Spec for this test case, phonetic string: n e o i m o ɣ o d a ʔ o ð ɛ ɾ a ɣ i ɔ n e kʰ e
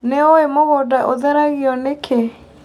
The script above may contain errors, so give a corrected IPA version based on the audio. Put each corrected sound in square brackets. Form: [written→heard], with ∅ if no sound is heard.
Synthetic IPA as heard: n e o [i→e] m o ɣ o d a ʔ o ð ɛ ɾ a ɣ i ɔ n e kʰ e